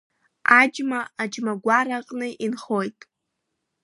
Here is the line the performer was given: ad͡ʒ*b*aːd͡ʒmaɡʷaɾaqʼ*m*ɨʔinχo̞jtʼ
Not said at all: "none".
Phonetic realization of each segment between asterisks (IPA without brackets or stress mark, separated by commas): m, n